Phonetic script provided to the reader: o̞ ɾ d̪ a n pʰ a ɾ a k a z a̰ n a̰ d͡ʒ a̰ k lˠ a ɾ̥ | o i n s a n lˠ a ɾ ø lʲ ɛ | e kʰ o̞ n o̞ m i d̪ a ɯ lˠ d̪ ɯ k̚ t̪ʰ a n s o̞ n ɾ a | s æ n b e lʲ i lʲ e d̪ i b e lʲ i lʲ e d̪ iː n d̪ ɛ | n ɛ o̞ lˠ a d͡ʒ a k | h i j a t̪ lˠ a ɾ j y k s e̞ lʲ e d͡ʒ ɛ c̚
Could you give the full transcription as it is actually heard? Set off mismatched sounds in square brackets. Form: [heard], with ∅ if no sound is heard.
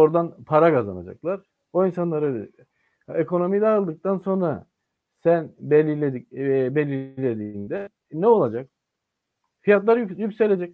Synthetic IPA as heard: o̞ ɾ d̪ a n pʰ a ɾ a k a z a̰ n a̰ d͡ʒ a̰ k lˠ a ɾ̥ | o i n s a n lˠ a ɾ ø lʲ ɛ | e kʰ o̞ n o̞ m i d̪ a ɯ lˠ d̪ ɯ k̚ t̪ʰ a n s o̞ n ɾ a | s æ n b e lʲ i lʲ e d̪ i b e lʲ i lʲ e d̪ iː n d̪ ɛ | n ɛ o̞ lˠ a d͡ʒ a k | [f] i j a t̪ lˠ a ɾ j y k s e̞ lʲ e d͡ʒ ɛ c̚